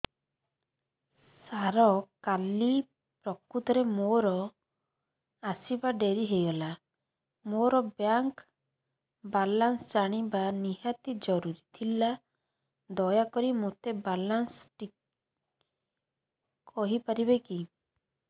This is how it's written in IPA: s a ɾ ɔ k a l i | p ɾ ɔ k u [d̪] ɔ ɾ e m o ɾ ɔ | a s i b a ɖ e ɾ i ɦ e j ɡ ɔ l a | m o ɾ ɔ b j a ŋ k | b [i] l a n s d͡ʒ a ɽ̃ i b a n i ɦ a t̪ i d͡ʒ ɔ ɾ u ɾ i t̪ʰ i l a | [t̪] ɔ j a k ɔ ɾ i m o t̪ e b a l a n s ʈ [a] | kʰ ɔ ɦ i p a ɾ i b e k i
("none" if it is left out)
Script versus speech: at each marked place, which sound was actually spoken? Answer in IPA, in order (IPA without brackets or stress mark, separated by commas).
t̪, a, d̪, i